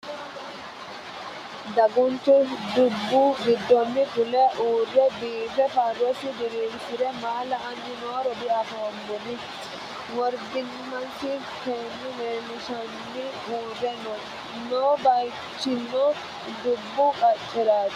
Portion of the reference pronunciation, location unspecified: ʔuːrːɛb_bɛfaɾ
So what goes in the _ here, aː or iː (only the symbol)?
iː